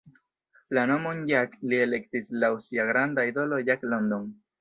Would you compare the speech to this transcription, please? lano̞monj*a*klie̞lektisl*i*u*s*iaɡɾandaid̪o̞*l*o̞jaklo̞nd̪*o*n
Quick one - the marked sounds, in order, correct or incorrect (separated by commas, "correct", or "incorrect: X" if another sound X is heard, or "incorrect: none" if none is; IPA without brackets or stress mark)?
correct, incorrect: a, correct, correct, correct